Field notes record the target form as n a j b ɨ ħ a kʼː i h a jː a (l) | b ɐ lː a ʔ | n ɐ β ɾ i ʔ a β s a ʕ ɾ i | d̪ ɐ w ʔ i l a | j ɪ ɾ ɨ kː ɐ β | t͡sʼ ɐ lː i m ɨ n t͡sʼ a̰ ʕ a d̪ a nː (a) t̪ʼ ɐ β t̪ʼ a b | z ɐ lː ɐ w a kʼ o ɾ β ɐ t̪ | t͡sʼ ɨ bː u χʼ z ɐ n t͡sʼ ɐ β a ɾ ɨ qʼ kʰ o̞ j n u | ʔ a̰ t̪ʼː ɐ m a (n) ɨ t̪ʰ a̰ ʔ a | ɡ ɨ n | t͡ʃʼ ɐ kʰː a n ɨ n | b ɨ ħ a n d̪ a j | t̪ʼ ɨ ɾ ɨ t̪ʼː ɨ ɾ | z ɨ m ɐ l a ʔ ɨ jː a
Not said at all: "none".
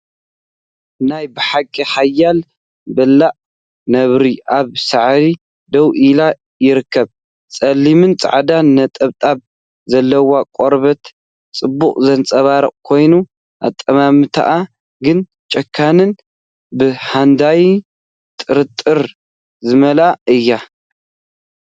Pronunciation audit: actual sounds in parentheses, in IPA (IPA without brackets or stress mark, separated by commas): l, ɐ, m